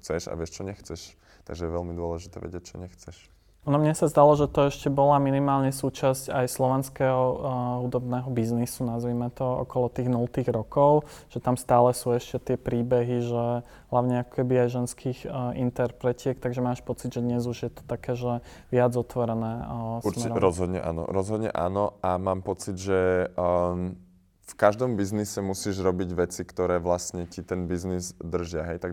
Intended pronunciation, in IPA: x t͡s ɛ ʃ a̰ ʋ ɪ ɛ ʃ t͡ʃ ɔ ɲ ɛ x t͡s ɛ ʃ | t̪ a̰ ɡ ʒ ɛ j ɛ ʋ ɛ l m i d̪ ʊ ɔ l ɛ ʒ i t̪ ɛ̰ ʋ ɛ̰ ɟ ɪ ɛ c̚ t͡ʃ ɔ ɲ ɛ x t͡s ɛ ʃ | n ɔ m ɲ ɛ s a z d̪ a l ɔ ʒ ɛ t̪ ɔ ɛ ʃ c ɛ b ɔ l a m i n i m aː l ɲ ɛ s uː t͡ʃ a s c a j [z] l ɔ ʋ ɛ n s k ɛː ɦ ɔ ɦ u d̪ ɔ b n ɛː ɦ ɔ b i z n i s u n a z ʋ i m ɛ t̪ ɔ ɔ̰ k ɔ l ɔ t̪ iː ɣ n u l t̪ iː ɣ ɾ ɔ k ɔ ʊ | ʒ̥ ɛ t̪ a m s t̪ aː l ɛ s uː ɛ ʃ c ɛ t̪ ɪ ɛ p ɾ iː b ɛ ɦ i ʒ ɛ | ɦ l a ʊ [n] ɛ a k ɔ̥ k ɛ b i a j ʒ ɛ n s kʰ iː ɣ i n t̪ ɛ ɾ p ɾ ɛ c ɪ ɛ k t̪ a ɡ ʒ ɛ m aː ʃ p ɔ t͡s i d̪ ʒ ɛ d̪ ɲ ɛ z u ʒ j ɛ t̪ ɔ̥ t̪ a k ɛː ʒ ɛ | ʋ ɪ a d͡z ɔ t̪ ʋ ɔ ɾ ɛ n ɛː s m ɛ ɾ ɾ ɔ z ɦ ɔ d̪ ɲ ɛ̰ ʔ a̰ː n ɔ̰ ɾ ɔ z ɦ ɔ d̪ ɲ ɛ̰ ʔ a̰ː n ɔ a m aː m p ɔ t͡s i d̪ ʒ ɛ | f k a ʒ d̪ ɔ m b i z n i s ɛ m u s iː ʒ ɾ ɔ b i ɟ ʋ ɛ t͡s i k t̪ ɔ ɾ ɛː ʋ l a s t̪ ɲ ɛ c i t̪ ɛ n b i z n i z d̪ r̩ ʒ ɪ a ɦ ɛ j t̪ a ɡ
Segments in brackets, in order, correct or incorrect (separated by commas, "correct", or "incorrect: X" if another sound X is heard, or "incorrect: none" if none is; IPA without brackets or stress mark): incorrect: s, incorrect: ɲ